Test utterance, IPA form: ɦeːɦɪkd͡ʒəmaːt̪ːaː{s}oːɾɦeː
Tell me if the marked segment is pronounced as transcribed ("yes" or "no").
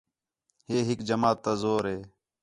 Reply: no